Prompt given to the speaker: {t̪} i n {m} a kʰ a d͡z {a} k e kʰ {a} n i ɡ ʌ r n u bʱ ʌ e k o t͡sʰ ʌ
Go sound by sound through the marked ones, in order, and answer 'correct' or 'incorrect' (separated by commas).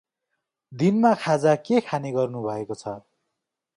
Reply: incorrect, correct, correct, correct